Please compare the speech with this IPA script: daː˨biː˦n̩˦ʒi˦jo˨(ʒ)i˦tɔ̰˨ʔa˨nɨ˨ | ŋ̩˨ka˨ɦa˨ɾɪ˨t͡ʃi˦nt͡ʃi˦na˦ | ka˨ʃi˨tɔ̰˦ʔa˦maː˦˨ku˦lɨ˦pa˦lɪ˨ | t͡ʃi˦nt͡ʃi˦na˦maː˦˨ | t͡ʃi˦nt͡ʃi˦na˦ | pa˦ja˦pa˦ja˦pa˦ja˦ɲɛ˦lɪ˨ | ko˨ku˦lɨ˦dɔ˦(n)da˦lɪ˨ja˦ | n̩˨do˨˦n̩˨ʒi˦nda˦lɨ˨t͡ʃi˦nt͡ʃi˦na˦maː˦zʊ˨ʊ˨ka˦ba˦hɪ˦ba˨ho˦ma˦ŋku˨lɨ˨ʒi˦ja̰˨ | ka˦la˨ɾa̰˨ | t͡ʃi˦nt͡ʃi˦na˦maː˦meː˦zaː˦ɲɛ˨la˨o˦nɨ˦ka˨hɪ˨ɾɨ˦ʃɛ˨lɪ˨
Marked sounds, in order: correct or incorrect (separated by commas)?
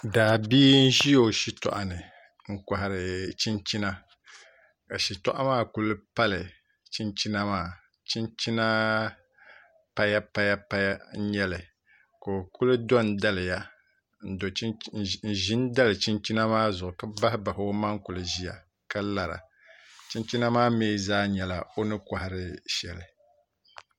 incorrect, correct